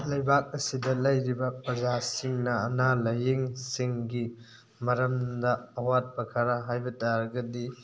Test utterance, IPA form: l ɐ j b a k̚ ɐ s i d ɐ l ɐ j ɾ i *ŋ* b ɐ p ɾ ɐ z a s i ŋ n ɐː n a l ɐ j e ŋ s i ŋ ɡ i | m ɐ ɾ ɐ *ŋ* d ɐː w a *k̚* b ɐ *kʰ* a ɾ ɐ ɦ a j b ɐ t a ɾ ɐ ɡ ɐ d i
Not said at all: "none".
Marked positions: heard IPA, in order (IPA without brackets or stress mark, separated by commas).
none, m, t̚, kʰ